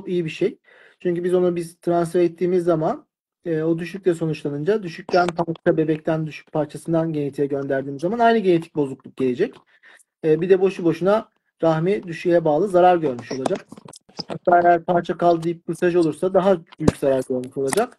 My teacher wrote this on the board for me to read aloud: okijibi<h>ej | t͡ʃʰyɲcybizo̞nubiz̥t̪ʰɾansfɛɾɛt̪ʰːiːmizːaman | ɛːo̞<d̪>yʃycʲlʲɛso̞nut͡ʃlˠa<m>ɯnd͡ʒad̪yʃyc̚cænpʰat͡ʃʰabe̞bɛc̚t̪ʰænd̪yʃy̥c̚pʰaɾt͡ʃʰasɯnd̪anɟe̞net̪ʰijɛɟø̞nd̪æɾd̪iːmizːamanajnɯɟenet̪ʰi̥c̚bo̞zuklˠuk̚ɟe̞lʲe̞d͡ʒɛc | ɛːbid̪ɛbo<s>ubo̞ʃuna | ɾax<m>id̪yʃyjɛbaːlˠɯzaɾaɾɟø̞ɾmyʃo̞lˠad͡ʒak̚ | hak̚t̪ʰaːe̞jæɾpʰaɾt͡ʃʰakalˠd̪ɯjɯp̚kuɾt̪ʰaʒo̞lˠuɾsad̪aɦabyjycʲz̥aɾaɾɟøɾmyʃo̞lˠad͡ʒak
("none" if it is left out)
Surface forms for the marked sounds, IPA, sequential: ʃ, d̪, n, ʃ, m

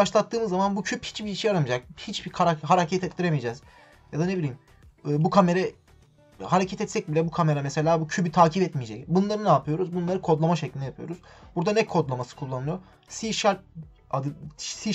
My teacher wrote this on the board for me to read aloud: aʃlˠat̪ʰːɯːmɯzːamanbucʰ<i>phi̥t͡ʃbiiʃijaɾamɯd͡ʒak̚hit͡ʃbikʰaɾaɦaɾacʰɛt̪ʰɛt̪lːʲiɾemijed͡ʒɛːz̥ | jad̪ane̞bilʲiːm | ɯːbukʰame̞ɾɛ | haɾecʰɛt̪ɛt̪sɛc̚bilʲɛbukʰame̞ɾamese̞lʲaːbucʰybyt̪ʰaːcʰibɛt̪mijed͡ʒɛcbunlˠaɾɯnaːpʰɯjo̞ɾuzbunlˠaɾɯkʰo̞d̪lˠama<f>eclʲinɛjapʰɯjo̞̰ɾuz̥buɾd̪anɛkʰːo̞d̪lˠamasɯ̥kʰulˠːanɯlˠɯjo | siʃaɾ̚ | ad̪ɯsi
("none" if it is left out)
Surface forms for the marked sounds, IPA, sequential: y, ʃ

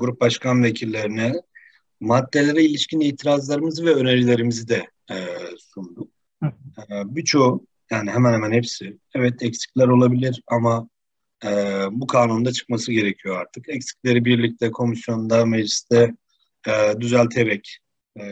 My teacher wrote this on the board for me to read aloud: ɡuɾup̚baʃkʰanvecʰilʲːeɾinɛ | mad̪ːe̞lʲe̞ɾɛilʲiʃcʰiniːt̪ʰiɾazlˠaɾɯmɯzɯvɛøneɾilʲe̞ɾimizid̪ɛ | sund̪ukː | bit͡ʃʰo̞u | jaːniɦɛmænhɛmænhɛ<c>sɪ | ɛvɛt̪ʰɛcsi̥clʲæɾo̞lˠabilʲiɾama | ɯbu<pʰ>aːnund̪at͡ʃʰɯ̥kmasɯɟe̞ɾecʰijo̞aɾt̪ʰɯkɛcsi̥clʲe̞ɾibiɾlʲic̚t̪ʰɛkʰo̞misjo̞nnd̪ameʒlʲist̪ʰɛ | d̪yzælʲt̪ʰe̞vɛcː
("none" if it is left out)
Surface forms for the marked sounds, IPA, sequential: p, kʰ

